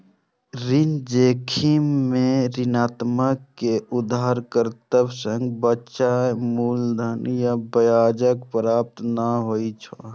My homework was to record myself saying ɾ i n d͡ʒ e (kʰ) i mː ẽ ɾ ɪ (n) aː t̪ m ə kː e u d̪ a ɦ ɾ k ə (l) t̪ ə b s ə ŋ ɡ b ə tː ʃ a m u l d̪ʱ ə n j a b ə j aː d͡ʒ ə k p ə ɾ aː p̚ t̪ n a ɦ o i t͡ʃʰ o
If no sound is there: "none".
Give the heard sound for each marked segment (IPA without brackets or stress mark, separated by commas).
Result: kʰ, n, ɾ